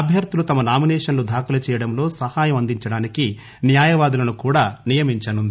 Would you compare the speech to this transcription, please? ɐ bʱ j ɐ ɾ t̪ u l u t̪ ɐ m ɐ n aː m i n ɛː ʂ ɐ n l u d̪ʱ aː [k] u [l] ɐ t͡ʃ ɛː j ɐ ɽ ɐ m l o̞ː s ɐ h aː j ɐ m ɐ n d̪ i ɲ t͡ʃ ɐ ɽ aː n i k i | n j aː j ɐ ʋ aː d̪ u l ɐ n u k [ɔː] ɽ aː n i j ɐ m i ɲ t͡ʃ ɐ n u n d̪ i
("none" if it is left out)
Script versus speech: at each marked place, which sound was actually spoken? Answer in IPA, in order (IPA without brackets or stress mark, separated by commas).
k, l, uː